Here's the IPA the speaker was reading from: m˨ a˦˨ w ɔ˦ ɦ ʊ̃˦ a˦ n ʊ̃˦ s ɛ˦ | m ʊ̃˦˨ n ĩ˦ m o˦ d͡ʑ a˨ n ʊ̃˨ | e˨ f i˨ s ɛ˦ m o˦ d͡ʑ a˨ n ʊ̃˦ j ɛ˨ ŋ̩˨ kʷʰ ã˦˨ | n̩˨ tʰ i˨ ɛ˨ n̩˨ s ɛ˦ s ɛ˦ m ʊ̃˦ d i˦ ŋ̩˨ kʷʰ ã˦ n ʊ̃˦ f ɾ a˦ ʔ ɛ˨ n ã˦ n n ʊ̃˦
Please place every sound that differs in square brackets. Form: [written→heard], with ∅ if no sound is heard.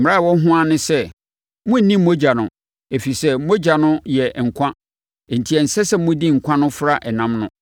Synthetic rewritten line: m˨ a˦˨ w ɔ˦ ɦ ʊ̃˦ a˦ n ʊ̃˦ s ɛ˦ | m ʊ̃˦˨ n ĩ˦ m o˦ d͡ʑ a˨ n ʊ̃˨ | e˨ f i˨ s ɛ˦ m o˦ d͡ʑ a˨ n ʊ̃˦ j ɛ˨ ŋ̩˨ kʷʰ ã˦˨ | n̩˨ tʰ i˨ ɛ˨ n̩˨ s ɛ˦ s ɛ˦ m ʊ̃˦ d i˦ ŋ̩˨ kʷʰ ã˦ n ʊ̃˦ f ɾ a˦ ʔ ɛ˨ n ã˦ [n→m] n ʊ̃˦